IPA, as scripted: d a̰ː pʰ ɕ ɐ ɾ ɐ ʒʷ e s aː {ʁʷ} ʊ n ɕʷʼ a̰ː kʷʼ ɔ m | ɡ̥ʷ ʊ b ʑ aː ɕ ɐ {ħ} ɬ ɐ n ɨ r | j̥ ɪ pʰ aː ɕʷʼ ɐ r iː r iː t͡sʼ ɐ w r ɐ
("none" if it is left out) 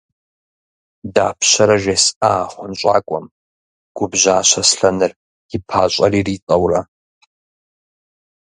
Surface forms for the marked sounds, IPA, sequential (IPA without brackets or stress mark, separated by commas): χʷ, s